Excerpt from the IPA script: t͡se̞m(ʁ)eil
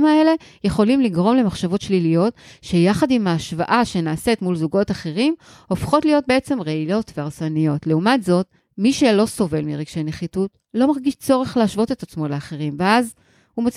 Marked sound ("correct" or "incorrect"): correct